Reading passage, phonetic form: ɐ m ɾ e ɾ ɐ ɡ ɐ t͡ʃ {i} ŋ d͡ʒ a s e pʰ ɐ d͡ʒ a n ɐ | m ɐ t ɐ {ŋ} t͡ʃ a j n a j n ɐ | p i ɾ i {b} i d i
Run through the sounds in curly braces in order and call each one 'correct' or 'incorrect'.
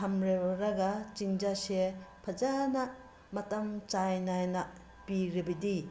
correct, incorrect, correct

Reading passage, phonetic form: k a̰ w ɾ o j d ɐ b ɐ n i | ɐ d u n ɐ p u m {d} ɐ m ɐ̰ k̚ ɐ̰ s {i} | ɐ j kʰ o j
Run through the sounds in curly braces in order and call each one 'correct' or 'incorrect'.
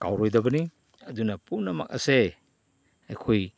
incorrect, incorrect

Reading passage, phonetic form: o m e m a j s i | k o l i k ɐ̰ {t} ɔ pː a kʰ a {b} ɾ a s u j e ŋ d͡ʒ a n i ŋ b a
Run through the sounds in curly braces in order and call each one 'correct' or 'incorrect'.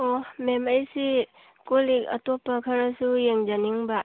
correct, incorrect

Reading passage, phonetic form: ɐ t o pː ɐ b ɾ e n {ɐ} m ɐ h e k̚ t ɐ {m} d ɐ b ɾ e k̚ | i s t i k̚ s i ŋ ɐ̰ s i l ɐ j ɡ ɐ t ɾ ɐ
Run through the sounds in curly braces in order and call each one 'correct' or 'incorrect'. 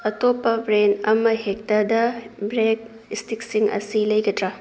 correct, incorrect

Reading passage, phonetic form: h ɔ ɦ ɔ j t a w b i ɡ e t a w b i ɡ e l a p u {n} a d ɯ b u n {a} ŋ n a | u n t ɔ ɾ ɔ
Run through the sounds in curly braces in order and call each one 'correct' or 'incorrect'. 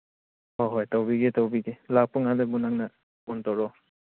incorrect, correct

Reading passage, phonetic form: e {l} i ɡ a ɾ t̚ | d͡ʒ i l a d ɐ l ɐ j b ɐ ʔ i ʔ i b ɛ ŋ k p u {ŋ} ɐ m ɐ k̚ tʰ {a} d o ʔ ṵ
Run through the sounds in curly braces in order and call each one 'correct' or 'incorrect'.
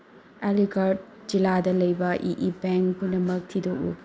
correct, incorrect, incorrect

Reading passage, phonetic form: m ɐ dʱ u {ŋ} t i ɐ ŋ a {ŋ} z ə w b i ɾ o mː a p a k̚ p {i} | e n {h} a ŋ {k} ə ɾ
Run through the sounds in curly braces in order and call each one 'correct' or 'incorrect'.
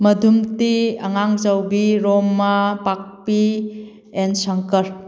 incorrect, correct, correct, incorrect, correct

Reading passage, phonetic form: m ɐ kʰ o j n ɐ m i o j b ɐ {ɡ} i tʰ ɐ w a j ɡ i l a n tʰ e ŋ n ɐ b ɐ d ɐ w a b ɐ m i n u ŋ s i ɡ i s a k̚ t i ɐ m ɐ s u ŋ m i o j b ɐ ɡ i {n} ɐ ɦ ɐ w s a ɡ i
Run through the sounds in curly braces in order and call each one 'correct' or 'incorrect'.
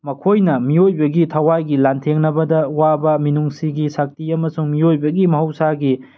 correct, incorrect

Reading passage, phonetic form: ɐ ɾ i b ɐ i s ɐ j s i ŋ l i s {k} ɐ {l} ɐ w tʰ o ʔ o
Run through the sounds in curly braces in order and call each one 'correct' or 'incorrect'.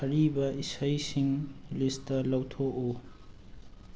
incorrect, correct

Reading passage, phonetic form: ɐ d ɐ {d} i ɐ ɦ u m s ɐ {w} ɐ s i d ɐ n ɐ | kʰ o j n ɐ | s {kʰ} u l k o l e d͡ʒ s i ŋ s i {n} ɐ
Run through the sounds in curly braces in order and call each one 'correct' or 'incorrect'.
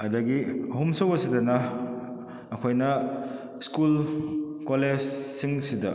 incorrect, correct, incorrect, incorrect

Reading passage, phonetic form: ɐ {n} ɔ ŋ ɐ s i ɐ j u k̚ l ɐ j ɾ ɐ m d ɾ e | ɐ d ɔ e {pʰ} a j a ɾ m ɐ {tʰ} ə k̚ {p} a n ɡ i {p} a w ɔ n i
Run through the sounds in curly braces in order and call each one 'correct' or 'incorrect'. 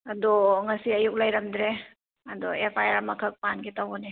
incorrect, correct, incorrect, correct, incorrect

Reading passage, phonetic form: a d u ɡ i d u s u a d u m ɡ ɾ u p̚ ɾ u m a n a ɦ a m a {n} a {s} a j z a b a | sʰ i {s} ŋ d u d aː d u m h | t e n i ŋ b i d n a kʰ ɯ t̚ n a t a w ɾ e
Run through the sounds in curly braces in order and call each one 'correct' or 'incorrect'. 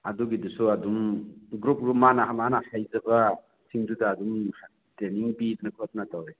correct, incorrect, incorrect

